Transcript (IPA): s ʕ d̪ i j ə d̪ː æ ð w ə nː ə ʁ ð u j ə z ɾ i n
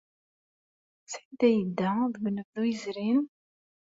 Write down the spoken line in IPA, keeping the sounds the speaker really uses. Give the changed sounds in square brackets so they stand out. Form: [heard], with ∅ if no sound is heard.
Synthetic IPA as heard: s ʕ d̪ [æ] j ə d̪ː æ ð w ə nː ə [v] ð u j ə z ɾ i n